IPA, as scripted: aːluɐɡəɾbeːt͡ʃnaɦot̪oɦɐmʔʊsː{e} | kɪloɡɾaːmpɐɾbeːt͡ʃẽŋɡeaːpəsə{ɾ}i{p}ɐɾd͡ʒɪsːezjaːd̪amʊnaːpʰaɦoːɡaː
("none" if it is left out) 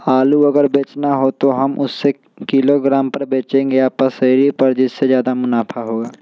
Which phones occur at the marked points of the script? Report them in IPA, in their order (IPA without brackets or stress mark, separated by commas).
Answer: e, ɾ, p